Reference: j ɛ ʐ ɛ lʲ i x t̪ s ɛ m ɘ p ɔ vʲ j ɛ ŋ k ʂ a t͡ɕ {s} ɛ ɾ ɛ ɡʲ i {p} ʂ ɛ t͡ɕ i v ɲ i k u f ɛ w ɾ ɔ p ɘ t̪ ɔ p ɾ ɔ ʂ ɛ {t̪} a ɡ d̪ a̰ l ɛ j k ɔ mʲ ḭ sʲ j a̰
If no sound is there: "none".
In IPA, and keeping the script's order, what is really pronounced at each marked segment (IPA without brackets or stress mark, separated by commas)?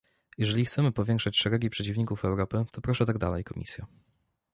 ʂ, p, t̪